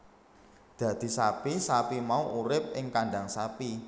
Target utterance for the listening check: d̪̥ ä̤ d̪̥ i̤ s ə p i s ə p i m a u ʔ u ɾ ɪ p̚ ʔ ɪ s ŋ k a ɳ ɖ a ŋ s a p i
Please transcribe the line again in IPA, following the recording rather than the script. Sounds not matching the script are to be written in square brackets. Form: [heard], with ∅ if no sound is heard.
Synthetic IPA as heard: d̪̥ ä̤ d̪̥ i̤ s [a] p i s [a] p i m a u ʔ u ɾ ɪ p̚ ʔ ɪ [∅] ŋ k a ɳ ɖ a ŋ s a p i

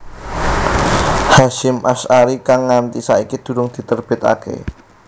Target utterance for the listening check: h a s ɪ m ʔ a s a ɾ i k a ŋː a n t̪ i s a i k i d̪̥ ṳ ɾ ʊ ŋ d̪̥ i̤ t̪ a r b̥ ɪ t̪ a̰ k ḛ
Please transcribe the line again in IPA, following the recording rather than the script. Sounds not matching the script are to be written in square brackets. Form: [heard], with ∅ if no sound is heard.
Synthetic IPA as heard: h a [ʃ] ɪ m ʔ a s a ɾ i k a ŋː a n t̪ i s a i k i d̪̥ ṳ ɾ ʊ ŋ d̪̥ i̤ t̪ [ə] r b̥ ɪ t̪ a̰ k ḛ

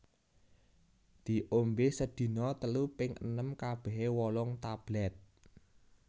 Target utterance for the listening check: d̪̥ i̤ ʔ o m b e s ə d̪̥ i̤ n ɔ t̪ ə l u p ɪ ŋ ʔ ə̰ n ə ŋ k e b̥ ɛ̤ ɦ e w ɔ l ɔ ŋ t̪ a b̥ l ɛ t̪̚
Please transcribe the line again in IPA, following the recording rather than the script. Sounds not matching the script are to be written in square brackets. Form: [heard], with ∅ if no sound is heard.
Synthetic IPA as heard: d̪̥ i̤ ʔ o m b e s ə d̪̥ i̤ n ɔ t̪ ə l u p ɪ ŋ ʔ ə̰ n ə [m] k [a] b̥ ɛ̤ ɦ e w ɔ l ɔ ŋ t̪ a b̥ l ɛ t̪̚

